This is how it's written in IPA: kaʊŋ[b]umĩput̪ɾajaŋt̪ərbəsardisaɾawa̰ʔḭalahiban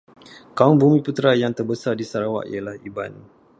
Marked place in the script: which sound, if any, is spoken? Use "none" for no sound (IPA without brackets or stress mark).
b